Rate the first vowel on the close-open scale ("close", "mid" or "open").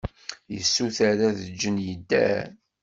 mid